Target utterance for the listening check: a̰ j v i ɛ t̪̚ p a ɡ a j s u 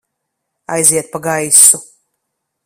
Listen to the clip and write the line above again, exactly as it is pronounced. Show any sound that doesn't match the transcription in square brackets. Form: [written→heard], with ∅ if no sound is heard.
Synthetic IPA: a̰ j [v→z] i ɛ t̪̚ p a ɡ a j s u